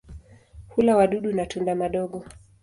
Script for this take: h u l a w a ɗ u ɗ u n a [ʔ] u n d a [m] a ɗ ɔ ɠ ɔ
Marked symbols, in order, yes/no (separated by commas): no, yes